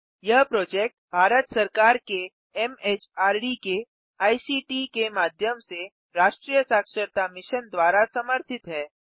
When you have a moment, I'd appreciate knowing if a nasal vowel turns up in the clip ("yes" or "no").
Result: no